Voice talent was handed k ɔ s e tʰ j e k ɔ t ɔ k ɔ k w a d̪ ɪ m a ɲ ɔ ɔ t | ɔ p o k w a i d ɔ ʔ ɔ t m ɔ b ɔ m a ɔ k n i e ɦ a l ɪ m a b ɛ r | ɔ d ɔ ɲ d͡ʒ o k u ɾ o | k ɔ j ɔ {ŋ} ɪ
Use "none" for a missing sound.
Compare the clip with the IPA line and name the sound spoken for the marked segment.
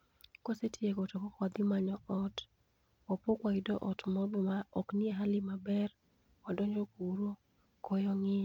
ŋ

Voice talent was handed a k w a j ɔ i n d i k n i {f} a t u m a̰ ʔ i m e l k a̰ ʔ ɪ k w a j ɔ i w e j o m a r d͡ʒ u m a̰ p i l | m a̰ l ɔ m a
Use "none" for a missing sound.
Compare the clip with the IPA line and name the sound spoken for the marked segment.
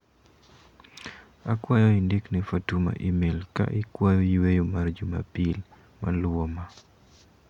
f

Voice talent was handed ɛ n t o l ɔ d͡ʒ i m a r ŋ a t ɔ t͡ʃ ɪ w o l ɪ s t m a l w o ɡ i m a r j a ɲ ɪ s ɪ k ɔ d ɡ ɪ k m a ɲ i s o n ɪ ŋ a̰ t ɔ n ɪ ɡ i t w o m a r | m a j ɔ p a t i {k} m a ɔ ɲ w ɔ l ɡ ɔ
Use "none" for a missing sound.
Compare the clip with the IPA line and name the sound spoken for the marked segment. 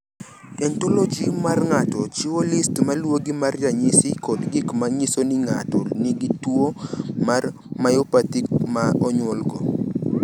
k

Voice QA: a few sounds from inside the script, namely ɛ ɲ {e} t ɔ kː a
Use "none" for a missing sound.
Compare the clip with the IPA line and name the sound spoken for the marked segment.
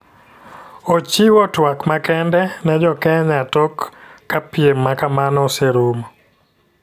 a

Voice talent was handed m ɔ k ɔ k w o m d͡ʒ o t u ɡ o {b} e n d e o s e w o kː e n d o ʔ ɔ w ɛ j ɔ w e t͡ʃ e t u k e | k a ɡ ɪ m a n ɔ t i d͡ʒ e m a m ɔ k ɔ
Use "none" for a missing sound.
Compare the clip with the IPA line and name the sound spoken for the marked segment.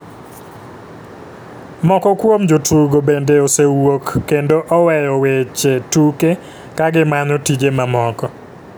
b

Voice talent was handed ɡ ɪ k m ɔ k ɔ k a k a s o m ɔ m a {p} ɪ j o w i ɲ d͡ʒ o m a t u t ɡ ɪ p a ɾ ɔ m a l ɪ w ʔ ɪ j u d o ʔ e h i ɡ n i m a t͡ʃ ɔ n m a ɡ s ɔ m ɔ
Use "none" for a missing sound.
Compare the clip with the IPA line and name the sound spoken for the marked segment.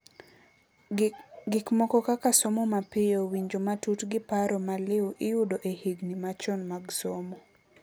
p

